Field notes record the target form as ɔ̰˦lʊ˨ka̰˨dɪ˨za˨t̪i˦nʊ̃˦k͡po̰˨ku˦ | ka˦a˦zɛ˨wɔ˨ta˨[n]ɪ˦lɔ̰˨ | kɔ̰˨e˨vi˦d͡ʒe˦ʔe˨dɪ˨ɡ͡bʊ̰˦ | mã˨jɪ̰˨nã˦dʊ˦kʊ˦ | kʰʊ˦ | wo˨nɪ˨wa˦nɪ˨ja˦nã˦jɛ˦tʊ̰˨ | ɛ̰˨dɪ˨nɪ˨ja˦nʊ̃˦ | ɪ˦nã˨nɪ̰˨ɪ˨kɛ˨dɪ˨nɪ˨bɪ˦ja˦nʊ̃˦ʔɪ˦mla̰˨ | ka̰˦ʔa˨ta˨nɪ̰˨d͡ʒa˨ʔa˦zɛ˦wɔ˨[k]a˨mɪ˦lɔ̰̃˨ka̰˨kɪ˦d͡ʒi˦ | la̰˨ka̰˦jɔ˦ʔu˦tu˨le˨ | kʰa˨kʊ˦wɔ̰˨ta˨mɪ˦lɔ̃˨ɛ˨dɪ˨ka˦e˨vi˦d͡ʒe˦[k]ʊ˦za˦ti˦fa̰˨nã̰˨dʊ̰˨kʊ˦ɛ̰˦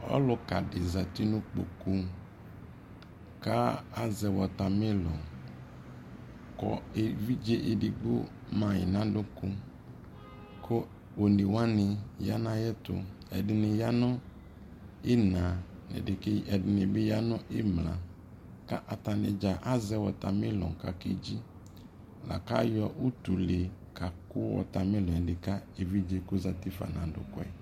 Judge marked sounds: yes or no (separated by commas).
no, no, yes